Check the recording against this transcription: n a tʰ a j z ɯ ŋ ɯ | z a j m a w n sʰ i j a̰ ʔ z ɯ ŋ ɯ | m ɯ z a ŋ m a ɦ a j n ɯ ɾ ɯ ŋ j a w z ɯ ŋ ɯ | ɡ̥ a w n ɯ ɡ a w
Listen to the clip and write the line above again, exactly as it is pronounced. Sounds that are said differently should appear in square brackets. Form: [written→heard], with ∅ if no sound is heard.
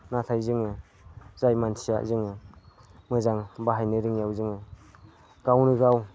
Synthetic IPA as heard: n a tʰ a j z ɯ ŋ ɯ | z a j m a [w→∅] n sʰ i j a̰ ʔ z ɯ ŋ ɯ | m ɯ z a ŋ [m→b] a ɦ a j n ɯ ɾ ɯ ŋ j a w z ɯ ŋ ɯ | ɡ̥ a w n ɯ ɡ a w